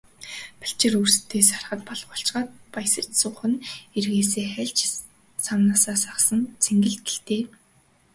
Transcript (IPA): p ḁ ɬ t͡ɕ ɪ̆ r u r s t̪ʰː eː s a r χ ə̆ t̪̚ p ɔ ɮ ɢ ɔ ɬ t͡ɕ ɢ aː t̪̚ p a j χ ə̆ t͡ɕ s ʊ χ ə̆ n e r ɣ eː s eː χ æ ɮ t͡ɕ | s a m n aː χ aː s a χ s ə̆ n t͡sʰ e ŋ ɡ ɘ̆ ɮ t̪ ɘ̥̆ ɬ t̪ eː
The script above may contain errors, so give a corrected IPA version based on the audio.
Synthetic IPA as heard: p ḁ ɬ t͡ɕ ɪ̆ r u r s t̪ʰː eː s a r χ ə̆ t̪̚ p ɔ ɮ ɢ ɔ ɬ t͡ɕ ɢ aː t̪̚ p a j s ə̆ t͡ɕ s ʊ χ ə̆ n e r ɣ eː s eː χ æ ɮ t͡ɕ | s a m n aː s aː s a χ s ə̆ n t͡sʰ e ŋ ɡ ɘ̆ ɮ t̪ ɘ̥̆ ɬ t̪ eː